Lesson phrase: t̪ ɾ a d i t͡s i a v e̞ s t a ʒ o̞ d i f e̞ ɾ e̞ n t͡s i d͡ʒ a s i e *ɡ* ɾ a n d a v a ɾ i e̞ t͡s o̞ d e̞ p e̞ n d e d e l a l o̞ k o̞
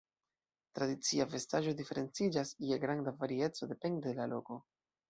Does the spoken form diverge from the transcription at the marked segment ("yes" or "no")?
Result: no